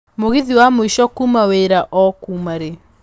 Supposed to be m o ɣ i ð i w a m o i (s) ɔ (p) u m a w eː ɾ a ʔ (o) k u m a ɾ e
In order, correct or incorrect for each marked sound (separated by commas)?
incorrect, incorrect, incorrect